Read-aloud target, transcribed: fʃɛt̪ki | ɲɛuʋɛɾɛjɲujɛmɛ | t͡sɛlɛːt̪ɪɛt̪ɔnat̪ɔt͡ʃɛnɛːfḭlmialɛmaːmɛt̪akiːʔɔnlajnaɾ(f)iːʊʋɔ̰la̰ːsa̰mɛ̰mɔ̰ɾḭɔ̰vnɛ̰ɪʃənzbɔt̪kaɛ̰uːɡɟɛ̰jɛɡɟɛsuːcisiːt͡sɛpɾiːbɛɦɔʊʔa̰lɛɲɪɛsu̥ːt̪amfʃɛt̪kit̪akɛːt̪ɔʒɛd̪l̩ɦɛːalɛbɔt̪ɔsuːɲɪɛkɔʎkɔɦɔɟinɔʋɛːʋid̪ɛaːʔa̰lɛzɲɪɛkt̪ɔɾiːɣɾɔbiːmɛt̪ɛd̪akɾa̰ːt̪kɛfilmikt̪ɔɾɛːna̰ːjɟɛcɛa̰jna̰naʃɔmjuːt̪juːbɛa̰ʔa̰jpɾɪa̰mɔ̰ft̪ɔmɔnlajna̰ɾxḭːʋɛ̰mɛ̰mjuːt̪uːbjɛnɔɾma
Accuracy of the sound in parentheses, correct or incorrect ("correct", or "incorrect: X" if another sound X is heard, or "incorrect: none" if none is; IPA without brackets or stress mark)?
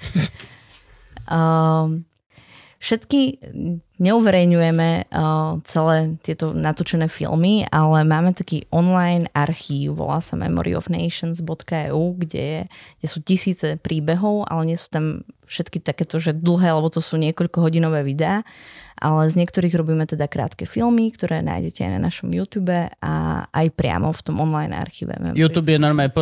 incorrect: x